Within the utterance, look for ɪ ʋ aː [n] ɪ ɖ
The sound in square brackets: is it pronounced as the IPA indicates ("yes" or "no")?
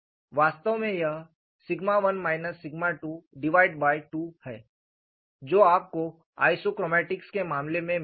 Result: no